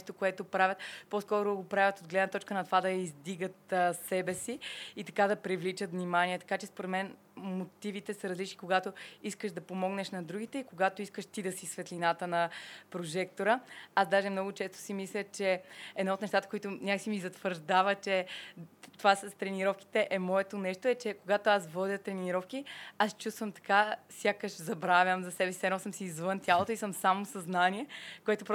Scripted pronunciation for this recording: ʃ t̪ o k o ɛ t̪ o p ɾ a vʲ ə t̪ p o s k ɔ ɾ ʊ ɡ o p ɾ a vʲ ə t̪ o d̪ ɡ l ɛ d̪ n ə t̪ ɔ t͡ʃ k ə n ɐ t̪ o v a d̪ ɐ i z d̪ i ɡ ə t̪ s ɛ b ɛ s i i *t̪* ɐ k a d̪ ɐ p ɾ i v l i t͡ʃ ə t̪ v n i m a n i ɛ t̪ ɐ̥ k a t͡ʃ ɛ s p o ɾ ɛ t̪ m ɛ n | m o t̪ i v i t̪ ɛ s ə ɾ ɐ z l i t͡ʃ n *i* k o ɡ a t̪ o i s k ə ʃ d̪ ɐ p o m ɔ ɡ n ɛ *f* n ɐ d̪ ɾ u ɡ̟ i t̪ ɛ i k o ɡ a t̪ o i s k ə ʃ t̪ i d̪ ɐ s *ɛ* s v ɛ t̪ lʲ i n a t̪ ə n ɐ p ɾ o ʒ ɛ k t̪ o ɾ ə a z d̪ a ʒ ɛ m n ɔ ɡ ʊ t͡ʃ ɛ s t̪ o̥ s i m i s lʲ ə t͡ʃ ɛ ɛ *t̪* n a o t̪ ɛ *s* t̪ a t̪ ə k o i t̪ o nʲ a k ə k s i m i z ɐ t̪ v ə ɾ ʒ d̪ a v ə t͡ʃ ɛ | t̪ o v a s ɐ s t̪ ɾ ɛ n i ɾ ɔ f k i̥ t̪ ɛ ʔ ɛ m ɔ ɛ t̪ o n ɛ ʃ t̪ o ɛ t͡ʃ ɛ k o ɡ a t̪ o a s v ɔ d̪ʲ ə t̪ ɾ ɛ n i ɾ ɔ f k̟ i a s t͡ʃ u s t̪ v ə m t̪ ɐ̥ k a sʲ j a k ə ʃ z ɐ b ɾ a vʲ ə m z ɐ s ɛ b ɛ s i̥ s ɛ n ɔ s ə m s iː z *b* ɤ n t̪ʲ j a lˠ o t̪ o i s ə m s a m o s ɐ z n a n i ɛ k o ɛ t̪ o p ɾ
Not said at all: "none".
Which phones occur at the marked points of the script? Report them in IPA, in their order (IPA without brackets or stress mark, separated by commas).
t̪, i, ʃ, i, d̪, ʃ, v